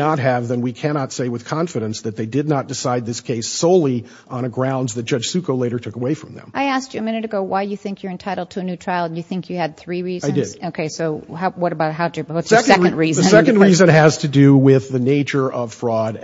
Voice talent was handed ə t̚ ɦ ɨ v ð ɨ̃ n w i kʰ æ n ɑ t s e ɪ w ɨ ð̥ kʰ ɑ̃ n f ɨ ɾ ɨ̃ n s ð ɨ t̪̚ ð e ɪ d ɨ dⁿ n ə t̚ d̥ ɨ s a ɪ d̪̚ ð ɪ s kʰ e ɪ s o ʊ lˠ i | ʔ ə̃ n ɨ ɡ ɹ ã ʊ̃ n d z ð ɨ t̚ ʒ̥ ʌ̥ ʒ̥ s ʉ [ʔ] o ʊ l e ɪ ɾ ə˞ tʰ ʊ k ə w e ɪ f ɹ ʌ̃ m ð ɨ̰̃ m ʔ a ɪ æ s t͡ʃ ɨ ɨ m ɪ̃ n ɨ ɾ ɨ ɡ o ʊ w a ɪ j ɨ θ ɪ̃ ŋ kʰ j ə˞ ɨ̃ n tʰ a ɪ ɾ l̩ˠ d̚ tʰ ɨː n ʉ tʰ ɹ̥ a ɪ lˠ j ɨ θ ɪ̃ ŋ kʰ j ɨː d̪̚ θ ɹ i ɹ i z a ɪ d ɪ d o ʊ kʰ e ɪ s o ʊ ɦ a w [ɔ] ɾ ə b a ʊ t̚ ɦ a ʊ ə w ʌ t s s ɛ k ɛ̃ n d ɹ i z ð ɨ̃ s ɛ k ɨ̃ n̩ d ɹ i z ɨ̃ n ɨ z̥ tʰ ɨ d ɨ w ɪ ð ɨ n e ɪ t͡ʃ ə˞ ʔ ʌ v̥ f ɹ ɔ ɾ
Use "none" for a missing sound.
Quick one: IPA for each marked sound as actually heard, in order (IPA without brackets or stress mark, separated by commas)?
k, ʌ